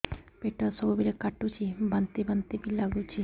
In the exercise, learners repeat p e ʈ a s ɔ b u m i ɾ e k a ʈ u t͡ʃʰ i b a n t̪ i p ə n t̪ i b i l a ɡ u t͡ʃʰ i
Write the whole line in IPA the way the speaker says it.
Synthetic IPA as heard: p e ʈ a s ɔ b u b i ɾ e k a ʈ u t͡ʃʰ i b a n t̪ i b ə n t̪ i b i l a ɡ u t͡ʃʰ i